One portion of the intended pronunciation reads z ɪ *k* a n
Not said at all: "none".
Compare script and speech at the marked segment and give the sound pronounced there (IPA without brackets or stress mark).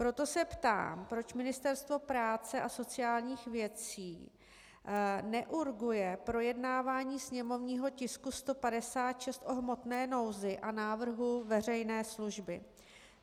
ʔ